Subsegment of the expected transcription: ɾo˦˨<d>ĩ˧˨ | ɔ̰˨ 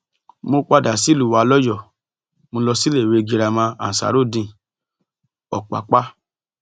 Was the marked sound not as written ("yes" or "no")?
no